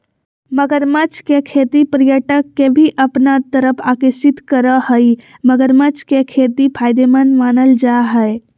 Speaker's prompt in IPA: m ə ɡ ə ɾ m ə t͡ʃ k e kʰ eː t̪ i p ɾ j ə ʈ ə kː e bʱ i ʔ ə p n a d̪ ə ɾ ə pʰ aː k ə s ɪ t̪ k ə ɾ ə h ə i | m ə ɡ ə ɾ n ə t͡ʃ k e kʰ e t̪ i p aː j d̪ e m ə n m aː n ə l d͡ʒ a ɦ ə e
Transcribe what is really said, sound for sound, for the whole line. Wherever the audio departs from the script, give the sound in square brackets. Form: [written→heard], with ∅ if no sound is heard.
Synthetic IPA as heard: m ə ɡ ə ɾ m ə t͡ʃ k e kʰ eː t̪ i p ɾ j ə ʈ ə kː e bʱ i ʔ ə p n a [d̪→t̪] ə ɾ ə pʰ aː k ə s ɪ t̪ k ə ɾ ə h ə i | m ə ɡ ə ɾ [n→m] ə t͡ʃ k e kʰ e t̪ i [p→pʰ] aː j d̪ e m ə n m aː n ə l d͡ʒ a ɦ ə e